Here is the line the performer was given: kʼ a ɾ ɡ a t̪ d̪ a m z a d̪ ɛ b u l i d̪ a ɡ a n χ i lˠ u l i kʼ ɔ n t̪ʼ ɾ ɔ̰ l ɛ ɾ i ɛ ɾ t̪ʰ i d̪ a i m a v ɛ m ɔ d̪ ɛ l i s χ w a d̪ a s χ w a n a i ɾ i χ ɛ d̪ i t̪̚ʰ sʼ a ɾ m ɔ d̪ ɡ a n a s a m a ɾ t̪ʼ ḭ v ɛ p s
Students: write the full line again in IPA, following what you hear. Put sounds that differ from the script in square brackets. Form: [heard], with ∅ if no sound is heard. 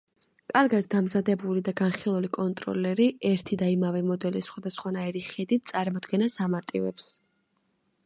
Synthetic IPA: kʼ a ɾ ɡ a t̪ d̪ a m z a d̪ ɛ b u l i d̪ a ɡ a n χ i lˠ u l i kʼ ɔ n t̪ʼ ɾ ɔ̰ l ɛ ɾ i ɛ ɾ t̪ʰ i d̪ a i m a v ɛ m ɔ d̪ ɛ l i s χ w a d̪ a s χ w a n a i ɾ i χ ɛ d̪ i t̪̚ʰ sʼ a ɾ m ɔ d̪ ɡ [ɛ] n a s a m a ɾ t̪ʼ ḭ v ɛ p s